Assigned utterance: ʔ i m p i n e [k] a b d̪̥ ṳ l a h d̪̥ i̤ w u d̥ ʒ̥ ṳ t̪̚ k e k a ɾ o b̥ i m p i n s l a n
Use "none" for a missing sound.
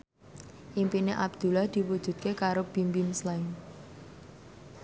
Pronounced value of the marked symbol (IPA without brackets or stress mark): ʔ